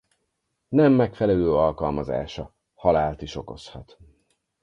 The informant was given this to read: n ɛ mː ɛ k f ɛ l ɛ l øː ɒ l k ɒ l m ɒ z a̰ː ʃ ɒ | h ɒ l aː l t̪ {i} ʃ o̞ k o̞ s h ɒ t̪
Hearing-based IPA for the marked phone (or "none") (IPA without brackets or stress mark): i